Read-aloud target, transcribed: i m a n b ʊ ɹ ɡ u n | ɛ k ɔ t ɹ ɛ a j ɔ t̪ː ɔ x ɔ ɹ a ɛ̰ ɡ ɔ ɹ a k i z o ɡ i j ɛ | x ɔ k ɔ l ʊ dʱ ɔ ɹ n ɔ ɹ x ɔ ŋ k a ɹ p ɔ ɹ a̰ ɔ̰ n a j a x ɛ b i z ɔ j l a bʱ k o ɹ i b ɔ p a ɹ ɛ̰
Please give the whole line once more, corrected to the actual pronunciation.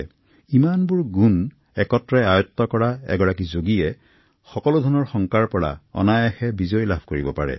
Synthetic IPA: i m a n b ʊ ɹ ɡ u n | ɛ k ɔ t ɹ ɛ a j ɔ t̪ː ɔ k ɔ ɹ a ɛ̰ ɡ ɔ ɹ a k i z o ɡ i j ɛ | x ɔ k ɔ l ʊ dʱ ɔ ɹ n ɔ ɹ x ɔ ŋ k a ɹ p ɔ ɹ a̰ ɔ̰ n a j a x ɛ b i z ɔ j l a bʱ k o ɹ i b ɔ p a ɹ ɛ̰

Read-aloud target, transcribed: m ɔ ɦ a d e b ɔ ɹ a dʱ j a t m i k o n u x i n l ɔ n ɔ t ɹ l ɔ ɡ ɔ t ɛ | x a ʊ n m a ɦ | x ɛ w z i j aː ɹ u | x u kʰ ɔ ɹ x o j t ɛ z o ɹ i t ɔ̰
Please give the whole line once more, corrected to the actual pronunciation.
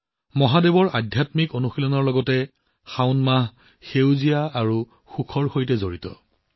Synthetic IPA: m ɔ ɦ a d e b ɔ ɹ a dʱ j a t m i k o n u x i l ɔ n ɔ ɹ l ɔ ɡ ɔ t ɛ | x a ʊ n m a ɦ | x e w z i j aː ɹ u | x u kʰ ɔ ɹ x o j t ɛ z o ɹ i t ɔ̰

